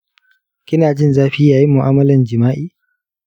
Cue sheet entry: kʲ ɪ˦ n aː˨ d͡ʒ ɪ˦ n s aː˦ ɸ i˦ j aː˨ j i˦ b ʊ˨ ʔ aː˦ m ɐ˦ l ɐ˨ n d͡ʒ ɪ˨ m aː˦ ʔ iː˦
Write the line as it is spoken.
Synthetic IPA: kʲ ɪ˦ n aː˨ d͡ʒ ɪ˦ n z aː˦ ɸ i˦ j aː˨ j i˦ m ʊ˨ ʔ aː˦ m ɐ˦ l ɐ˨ n d͡ʒ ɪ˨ m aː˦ ʔ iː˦

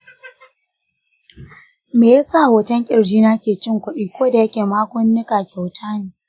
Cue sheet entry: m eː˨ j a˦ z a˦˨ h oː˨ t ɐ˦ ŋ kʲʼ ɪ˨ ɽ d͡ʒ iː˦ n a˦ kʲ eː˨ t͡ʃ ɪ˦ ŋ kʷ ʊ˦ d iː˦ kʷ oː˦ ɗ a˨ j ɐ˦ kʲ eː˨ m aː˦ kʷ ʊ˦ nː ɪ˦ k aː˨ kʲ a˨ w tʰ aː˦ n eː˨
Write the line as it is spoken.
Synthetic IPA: m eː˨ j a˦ s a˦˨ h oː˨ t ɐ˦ ŋ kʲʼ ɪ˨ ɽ d͡ʒ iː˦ n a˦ kʲ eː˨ t͡ʃ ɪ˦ ŋ kʷ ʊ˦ ɗ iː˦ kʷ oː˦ d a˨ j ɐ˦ kʲ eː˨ m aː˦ kʷ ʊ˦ nː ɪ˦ k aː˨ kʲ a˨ w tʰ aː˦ n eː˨

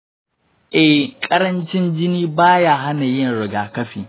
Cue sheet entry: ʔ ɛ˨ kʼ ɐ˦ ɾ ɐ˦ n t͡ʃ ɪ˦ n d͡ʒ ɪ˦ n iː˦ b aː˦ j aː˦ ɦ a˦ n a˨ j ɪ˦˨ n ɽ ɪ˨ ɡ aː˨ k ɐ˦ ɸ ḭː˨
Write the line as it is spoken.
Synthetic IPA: ʔ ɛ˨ kʼ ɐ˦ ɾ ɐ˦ n t͡ʃ ɪ˦ n d͡ʒ ɪ˦ n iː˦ b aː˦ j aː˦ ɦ a˦ n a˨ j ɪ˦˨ n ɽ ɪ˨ ɡ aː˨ k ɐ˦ ɸ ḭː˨

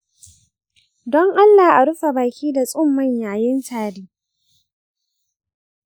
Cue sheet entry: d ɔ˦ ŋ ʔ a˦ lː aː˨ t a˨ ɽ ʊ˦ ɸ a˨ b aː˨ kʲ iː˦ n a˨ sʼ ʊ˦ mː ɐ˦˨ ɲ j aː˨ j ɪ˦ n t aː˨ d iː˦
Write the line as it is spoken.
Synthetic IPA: d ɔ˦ ŋ ʔ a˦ lː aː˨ ʔ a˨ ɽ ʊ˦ ɸ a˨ b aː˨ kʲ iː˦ d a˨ sʼ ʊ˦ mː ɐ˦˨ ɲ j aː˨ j ɪ˦ n t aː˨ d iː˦

